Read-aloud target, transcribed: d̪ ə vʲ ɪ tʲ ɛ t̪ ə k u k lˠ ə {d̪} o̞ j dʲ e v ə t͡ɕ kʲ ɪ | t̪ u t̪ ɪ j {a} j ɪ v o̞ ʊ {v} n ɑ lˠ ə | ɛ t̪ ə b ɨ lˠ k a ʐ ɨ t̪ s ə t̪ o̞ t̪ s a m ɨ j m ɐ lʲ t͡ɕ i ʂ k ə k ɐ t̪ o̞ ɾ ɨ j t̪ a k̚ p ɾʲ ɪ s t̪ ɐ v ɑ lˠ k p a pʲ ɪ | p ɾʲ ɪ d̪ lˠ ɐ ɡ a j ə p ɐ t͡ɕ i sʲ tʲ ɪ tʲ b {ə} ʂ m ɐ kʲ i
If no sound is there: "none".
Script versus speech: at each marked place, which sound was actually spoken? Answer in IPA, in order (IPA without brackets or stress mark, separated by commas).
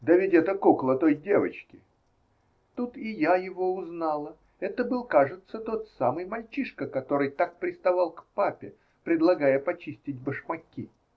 t̪, a, z, ə